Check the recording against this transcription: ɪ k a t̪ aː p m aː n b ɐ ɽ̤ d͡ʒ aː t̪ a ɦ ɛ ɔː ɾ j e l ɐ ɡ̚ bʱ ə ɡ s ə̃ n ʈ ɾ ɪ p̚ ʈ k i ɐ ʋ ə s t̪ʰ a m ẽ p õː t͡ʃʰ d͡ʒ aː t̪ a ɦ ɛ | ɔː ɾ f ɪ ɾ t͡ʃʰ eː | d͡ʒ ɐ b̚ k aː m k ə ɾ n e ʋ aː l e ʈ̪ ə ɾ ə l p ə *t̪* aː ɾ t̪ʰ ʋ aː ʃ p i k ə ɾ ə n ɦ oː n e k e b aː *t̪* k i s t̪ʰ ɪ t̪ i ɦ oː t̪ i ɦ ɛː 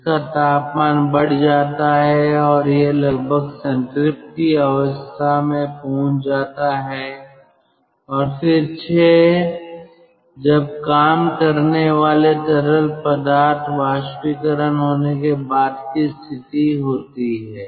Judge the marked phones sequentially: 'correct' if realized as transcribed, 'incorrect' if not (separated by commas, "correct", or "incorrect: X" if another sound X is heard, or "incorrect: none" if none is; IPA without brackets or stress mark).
incorrect: d̪, incorrect: d̪